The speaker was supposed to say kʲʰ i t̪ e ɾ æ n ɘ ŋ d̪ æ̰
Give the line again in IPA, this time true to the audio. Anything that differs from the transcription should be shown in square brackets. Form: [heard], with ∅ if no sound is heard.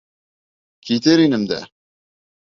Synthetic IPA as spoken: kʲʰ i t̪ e ɾ [i] n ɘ [m] d̪ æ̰